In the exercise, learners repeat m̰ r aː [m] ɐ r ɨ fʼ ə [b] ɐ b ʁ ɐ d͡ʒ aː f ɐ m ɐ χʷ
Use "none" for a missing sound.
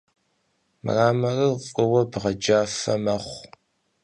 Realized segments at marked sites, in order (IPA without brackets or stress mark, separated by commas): m, w